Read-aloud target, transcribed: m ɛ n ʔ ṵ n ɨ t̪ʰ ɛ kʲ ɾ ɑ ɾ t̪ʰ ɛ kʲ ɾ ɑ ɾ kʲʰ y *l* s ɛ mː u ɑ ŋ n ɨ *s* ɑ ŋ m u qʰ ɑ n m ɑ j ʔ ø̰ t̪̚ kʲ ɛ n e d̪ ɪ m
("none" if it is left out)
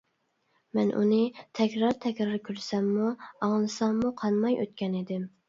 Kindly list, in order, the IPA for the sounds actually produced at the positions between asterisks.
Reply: ɾ, s

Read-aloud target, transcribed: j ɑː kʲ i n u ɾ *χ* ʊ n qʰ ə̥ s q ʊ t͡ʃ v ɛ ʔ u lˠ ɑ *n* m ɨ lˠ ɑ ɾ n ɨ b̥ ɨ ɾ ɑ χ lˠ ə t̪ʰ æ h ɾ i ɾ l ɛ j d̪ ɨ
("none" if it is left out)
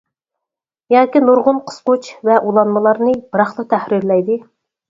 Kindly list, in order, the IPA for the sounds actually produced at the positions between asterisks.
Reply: ʁ, n

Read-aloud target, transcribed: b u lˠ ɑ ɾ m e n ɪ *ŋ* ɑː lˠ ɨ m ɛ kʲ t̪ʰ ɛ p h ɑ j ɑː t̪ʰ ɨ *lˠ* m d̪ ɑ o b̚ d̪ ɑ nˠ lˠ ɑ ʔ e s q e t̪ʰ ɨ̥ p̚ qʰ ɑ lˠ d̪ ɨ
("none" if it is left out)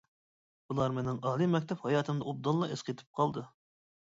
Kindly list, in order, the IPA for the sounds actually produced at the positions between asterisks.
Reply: ŋ, none

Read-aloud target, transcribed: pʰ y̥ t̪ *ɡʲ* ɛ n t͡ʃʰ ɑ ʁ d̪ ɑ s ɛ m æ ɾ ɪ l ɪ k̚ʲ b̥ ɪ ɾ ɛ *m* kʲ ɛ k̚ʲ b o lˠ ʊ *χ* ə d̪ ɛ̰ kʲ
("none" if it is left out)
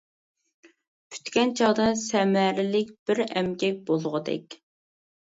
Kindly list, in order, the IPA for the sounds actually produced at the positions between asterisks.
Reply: kʲ, m, ʁ

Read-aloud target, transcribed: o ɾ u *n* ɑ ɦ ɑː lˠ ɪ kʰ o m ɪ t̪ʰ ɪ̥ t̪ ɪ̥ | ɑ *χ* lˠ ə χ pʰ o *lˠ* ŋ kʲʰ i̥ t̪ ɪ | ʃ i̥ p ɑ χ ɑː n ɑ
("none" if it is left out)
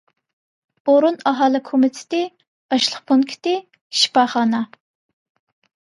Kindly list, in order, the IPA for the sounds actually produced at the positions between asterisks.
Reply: n, ʃ, none

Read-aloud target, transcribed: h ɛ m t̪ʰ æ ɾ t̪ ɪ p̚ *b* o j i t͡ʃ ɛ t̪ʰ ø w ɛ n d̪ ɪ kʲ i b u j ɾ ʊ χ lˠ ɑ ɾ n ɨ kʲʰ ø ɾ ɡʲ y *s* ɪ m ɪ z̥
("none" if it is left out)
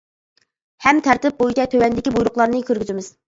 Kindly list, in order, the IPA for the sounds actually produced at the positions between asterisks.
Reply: b, z

